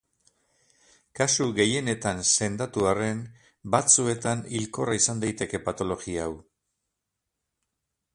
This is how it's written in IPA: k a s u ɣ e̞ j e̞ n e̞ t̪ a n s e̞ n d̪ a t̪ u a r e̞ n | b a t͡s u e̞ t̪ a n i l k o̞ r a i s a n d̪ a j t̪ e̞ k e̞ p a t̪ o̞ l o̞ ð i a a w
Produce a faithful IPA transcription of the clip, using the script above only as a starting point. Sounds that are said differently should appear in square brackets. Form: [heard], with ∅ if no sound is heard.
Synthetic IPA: k a s u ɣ e̞ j e̞ n e̞ t̪ a n s e̞ n d̪ a t̪ u a r e̞ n | b a t͡s u e̞ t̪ a n i l k o̞ r a i s a n d̪ a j t̪ e̞ k e̞ p a t̪ o̞ l o̞ [ɣ] i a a w